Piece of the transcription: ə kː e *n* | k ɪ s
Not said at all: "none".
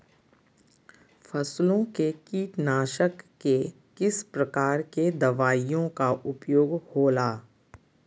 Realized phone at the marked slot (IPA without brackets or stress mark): none